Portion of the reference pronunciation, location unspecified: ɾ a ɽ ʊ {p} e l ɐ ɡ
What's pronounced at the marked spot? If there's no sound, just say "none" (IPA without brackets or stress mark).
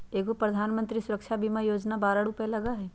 p